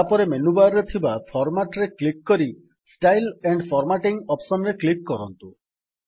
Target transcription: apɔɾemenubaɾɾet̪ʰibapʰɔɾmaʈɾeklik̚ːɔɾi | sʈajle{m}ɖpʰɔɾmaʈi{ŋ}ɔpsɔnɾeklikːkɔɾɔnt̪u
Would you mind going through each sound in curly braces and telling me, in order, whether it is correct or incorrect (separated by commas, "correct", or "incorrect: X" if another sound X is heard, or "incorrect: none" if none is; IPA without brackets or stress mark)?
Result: incorrect: ɳ, correct